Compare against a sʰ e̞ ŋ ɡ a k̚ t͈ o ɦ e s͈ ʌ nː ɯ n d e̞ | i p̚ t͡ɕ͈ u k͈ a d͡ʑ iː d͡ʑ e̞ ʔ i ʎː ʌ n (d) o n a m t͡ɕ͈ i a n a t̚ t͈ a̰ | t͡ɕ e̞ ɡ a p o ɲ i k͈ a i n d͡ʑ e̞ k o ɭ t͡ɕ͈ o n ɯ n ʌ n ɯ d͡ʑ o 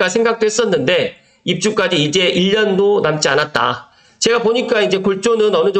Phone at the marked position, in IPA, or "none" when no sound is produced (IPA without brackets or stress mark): d